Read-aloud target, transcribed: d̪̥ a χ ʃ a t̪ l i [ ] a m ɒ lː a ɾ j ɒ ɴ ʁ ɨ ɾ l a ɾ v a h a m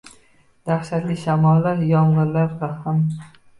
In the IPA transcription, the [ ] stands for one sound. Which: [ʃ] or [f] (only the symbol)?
ʃ